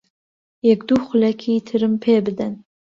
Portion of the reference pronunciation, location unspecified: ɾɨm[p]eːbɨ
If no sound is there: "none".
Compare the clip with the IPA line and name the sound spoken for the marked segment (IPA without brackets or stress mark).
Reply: pʰ